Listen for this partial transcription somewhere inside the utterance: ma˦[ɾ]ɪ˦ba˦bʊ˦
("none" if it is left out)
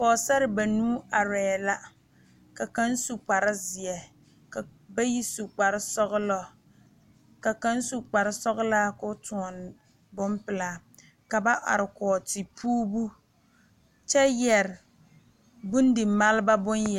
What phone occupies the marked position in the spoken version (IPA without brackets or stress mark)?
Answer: l